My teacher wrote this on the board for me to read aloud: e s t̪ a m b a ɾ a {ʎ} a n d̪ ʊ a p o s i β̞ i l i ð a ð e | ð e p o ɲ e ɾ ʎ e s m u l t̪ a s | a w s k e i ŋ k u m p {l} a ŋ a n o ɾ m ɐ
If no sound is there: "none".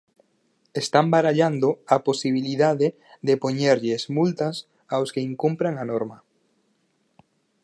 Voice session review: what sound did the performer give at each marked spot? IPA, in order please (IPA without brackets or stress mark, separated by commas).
ʎ, ɾ